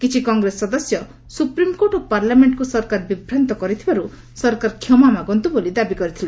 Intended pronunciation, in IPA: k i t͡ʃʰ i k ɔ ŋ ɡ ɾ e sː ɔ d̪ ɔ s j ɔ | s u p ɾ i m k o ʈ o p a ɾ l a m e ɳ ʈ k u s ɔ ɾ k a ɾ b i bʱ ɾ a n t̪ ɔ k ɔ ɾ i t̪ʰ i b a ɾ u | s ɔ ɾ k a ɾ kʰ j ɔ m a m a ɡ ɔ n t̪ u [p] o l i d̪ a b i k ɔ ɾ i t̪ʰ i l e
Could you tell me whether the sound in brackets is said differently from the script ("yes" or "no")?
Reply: yes